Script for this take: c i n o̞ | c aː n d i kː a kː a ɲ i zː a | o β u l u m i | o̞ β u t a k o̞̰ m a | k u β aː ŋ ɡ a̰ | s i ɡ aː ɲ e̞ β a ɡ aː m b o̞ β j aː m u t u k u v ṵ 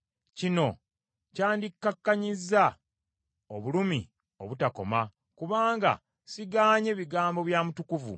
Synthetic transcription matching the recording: c i n o̞ | c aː n d i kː a kː a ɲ i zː a | o β u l u m i | o̞ β u t a k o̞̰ m a | k u β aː ŋ ɡ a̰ | s i ɡ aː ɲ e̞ β i ɡ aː m b o̞ β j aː m u t u k u v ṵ